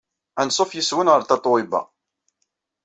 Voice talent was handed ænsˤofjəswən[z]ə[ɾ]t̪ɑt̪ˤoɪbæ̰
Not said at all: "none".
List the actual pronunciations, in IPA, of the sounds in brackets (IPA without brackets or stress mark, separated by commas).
ʁ, ɾ